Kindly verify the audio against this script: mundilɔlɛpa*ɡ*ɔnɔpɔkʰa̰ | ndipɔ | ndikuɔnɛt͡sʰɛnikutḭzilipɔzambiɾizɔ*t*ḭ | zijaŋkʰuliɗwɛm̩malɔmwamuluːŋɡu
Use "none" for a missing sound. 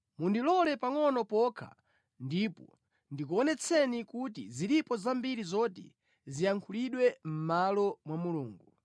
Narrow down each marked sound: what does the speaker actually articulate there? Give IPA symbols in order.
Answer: ŋ, t

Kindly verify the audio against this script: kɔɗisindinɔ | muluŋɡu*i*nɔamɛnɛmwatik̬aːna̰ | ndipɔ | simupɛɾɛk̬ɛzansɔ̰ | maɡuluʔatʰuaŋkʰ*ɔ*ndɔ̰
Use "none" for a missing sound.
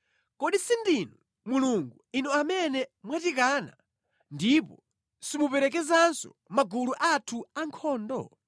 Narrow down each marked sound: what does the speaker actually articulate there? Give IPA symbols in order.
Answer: i, ɔː

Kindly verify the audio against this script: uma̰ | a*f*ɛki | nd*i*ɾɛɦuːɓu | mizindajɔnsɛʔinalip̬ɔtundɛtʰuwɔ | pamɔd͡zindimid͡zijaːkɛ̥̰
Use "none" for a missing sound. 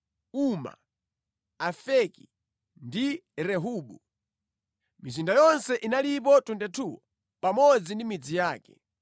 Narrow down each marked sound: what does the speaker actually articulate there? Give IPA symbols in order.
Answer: f, i

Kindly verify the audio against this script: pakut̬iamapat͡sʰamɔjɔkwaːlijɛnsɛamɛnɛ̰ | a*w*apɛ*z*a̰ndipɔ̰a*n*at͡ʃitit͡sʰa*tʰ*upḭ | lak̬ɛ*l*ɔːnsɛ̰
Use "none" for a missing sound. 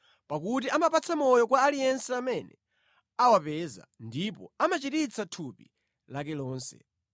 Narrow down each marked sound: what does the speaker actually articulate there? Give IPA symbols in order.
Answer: w, z, m, tʰ, l

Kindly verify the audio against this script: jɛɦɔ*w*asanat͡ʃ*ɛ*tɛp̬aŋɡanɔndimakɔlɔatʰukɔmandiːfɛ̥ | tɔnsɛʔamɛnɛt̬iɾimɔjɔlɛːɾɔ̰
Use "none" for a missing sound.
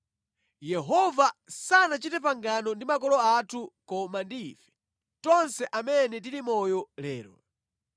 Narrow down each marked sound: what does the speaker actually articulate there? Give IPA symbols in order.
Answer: v, i

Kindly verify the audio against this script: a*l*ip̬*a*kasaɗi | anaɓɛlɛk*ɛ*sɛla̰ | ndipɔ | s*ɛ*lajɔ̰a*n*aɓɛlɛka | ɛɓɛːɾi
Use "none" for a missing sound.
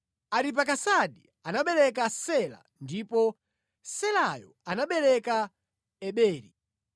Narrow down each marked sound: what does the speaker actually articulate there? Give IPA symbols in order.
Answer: ɾ, a, a, ɛ, n

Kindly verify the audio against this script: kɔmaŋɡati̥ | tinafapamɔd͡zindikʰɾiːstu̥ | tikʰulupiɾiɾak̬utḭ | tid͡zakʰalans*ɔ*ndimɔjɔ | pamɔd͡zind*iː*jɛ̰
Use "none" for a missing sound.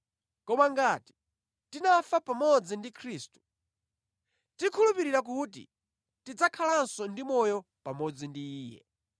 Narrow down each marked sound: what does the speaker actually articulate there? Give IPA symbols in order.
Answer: ɔ, iː

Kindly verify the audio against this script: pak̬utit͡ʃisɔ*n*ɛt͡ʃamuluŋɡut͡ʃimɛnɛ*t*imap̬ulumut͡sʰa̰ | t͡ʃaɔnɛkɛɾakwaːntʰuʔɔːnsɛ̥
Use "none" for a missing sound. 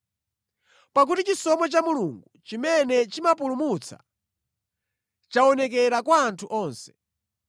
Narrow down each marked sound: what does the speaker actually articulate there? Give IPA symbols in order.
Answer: m, t͡ʃ

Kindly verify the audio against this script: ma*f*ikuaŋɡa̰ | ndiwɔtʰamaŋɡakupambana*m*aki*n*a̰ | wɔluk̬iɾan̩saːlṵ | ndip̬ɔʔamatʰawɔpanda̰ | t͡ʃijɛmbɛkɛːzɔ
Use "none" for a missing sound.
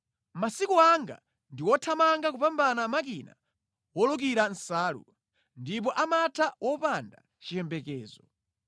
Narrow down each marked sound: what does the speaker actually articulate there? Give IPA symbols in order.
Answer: s, m, n

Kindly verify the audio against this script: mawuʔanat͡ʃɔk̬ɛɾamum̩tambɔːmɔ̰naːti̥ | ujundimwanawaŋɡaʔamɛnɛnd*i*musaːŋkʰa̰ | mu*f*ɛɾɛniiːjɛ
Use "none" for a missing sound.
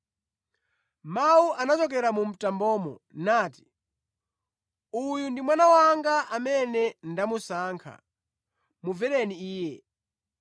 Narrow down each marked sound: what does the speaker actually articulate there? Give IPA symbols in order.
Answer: a, v

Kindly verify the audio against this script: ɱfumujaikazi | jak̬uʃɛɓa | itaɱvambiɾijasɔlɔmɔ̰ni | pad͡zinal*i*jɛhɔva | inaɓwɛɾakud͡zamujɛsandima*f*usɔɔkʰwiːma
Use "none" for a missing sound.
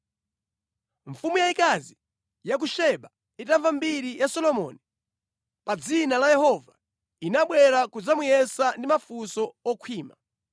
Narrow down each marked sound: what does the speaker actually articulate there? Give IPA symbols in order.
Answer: a, f

